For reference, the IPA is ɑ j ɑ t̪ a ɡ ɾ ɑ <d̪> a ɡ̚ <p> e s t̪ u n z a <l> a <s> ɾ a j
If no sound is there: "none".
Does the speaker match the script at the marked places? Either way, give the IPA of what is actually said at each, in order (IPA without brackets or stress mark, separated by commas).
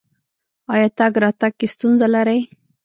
t̪, k, l, none